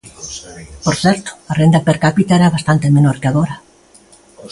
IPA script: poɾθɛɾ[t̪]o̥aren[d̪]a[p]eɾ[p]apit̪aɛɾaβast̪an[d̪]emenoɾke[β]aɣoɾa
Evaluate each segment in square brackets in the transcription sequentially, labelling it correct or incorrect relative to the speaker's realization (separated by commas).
correct, correct, correct, incorrect, incorrect, incorrect